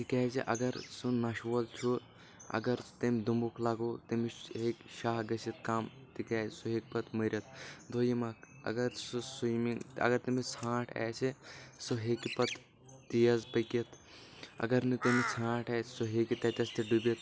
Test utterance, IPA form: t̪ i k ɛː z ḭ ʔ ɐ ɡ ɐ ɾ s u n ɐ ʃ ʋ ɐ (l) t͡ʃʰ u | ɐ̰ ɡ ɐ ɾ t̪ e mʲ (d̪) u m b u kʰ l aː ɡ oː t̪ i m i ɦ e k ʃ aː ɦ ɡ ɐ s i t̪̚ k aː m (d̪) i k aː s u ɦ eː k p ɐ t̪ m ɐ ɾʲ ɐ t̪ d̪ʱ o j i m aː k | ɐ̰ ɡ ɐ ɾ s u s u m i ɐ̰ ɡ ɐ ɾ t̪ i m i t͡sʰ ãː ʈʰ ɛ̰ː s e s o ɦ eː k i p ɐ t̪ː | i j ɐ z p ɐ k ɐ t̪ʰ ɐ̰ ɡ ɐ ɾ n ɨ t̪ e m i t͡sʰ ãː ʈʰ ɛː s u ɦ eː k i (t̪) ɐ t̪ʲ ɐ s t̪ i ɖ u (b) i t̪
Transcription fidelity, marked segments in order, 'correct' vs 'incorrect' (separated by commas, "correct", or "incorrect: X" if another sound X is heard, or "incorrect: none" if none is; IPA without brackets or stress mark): correct, correct, incorrect: t̪, correct, correct